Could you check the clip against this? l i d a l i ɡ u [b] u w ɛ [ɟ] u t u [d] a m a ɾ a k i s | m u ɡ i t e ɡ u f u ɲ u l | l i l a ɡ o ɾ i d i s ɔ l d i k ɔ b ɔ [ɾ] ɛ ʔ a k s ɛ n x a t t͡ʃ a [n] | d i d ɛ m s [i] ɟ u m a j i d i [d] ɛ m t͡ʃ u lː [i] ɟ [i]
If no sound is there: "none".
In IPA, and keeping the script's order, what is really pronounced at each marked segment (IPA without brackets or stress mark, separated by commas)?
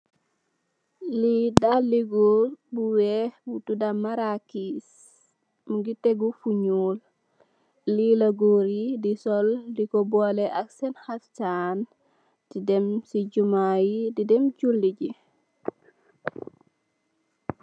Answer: b, b, d, l, n, i, d, i, i